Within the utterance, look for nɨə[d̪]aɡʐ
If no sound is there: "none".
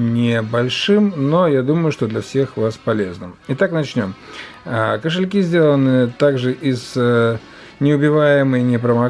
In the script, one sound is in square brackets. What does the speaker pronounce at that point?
t̪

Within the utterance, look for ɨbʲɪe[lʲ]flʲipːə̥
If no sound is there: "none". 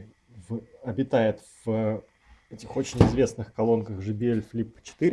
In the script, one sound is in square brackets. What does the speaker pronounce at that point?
lʲ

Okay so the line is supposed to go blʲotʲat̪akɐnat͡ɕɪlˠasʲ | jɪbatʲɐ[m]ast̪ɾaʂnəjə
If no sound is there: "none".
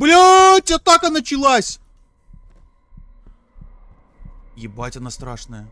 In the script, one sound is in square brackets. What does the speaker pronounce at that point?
n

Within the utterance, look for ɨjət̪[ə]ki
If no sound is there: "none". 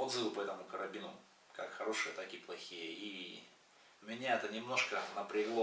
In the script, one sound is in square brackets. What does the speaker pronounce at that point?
a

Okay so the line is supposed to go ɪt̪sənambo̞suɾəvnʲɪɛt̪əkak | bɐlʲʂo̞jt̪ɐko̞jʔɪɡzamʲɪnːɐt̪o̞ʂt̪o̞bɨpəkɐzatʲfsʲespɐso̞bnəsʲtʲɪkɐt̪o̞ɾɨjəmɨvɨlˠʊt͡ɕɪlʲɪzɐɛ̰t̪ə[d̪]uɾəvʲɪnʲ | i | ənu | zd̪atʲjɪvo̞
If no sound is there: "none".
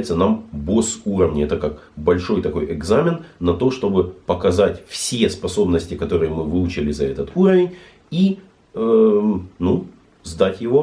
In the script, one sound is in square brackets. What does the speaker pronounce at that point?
t̪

